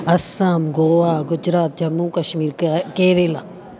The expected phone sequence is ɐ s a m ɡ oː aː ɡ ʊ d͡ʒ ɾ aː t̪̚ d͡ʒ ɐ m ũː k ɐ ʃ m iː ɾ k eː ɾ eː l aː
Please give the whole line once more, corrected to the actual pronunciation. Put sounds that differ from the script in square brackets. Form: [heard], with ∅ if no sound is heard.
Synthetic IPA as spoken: ɐ s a m ɡ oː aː ɡ ʊ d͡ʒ ɾ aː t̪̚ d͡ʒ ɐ m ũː k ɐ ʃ m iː ɾ k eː ɾ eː l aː